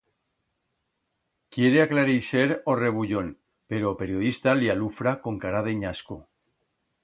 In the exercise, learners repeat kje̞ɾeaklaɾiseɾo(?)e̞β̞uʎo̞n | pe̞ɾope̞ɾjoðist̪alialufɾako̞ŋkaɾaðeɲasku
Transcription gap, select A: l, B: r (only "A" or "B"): B